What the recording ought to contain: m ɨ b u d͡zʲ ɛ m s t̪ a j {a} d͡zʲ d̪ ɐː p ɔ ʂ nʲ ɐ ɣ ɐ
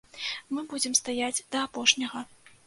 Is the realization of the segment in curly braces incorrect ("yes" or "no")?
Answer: no